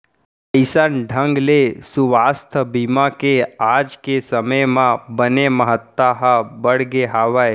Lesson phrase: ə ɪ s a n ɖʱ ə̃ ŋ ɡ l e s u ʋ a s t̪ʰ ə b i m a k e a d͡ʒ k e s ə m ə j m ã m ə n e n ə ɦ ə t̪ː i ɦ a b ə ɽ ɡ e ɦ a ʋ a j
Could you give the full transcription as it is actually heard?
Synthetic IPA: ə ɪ s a n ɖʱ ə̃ ŋ ɡ l e s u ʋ a s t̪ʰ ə b i m a k e a d͡ʒ k e s ə m ə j m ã b ə n e m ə ɦ ə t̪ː a ɦ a b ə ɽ ɡ e ɦ a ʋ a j